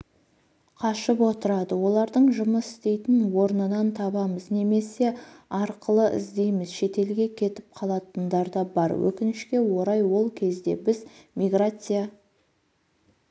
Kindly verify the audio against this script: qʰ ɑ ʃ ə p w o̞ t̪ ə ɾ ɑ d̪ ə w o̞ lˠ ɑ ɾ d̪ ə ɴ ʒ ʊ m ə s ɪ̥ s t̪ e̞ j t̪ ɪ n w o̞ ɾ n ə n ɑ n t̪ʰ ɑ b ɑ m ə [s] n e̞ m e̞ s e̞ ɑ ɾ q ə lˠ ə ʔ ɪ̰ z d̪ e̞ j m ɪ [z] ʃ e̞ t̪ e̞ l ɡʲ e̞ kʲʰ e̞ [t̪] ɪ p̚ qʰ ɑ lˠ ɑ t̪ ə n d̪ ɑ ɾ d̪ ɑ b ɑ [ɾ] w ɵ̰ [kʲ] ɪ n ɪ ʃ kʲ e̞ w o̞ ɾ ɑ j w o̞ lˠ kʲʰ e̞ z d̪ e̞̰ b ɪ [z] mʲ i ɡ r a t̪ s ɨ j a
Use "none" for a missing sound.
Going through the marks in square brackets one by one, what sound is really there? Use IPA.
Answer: z, z, t̪, ɾ, kʲ, z

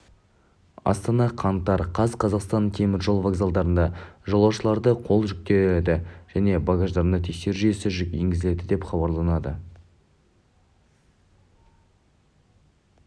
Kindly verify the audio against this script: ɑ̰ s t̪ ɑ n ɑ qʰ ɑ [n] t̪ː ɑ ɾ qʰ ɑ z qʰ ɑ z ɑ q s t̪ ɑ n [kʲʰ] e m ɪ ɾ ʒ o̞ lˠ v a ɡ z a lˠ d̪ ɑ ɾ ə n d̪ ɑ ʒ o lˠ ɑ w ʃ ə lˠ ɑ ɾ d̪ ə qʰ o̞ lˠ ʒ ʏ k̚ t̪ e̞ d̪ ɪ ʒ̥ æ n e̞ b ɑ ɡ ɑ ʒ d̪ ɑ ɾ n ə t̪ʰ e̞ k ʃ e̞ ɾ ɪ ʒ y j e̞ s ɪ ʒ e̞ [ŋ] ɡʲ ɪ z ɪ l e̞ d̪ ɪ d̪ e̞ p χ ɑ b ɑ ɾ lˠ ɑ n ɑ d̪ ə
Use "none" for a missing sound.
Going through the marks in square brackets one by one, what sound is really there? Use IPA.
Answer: n, kʲʰ, ŋ

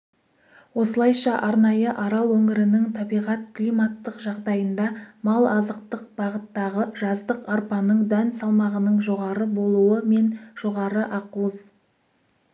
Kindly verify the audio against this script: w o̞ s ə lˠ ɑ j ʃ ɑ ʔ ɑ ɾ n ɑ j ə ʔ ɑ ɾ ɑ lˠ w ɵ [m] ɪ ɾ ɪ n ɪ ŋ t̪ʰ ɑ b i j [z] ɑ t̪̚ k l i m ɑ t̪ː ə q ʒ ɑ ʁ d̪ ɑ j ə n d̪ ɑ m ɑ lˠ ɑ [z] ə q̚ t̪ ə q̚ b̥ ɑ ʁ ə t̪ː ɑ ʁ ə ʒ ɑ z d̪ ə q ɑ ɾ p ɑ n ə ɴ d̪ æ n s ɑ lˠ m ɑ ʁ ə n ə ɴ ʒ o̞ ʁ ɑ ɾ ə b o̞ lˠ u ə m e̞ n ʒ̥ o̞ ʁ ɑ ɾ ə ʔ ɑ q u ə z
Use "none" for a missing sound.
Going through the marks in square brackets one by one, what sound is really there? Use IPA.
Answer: ŋ, ʁ, z

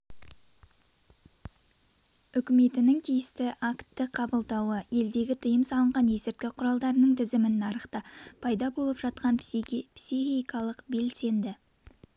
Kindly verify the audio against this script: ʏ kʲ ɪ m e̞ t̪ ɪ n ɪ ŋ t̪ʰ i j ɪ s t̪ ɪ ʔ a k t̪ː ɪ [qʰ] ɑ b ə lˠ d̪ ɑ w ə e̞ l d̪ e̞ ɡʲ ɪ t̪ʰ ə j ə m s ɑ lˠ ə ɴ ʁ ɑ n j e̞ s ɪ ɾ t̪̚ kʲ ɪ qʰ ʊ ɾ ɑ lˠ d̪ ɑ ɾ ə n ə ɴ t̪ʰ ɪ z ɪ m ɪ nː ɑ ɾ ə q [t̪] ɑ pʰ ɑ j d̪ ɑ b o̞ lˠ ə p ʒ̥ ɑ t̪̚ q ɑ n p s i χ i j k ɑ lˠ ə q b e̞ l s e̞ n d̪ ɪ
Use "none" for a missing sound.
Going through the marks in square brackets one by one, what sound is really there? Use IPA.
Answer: qʰ, t̪

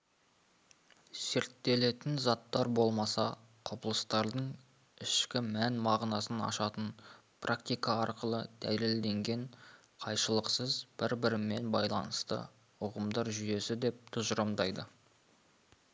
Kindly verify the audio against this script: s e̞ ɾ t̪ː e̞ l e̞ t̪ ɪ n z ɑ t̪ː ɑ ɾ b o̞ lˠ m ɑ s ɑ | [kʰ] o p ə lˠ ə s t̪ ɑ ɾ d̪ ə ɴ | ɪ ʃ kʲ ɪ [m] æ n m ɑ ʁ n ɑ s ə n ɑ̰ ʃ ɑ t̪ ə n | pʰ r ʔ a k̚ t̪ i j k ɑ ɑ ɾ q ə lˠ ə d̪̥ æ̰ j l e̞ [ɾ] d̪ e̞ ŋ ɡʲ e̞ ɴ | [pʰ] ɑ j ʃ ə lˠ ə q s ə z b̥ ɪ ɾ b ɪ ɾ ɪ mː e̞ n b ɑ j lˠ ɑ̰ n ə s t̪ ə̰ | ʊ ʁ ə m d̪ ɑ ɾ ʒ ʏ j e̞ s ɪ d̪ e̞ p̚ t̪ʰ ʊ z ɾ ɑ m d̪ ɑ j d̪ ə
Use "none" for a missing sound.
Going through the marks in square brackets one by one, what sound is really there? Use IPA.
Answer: qʰ, m, l, qʰ

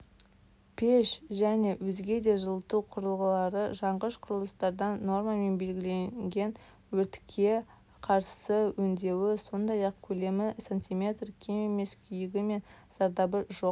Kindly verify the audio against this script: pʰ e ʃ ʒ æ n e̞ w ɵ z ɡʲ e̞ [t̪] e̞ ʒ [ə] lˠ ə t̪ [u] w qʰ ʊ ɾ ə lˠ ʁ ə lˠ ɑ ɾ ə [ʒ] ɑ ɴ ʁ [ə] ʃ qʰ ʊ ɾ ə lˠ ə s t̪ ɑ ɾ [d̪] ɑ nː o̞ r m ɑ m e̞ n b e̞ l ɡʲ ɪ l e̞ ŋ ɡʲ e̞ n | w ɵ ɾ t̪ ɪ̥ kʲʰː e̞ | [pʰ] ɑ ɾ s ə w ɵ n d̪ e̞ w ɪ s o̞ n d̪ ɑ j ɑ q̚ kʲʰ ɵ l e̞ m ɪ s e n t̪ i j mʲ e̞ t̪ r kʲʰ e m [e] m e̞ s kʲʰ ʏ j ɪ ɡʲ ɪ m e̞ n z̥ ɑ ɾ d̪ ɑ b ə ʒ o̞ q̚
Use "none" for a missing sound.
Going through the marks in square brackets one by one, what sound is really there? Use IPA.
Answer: d̪, ə, u, ʒ, ə, d̪, qʰ, e

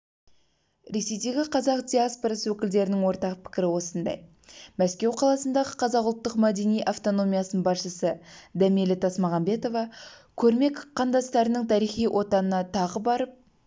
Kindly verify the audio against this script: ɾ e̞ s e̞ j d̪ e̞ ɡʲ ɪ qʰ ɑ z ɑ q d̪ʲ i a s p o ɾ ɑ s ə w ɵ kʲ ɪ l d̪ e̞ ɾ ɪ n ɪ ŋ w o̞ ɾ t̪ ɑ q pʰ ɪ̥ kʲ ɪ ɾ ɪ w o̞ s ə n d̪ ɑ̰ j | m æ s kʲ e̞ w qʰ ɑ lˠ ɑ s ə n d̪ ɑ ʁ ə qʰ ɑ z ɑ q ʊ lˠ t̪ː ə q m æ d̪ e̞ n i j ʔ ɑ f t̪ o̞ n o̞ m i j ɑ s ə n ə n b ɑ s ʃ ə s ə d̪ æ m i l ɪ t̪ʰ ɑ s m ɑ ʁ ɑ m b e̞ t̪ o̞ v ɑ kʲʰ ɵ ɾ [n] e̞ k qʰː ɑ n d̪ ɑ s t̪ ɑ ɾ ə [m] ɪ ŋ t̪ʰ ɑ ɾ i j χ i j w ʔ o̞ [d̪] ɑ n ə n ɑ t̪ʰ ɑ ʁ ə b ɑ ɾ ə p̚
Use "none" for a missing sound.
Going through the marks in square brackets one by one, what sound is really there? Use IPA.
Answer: m, n, t̪

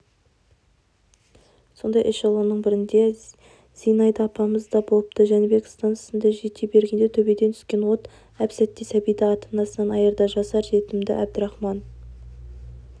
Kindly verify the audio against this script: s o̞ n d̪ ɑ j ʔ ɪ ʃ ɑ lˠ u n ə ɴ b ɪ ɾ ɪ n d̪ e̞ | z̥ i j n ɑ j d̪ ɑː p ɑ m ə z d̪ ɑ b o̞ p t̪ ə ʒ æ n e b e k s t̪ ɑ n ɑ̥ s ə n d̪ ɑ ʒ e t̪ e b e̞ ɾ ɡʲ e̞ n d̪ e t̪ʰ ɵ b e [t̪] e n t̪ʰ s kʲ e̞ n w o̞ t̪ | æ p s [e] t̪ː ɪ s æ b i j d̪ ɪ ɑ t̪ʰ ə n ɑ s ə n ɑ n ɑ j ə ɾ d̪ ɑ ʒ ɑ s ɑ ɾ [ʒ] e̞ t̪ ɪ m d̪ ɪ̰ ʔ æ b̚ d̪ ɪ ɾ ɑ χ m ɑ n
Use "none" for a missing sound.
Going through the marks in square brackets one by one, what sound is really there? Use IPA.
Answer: d̪, æ, ʒ

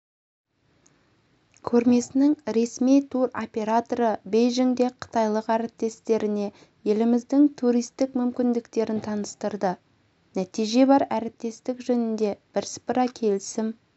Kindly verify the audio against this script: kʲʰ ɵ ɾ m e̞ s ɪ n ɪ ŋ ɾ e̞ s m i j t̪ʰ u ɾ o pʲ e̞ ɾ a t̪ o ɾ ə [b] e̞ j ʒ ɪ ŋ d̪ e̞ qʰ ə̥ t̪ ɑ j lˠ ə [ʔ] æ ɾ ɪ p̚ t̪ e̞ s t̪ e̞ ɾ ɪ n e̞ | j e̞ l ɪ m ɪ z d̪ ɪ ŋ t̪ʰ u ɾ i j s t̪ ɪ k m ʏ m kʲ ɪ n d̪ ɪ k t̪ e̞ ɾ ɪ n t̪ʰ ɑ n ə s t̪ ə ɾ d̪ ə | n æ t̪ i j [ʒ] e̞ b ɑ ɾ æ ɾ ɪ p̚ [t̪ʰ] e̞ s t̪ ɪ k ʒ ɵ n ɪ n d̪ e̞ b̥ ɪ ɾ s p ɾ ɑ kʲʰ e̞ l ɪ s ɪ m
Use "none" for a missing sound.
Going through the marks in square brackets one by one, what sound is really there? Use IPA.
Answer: b, q, ʒ, t̪

